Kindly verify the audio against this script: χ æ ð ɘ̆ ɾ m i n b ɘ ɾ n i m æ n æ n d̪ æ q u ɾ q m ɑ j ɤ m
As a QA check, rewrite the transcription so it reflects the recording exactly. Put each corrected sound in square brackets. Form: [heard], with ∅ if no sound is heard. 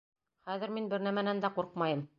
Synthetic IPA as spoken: χ æ ð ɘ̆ ɾ m i n b ɘ ɾ n [æ] m æ n æ n d̪ æ q u ɾ q m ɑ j ɤ m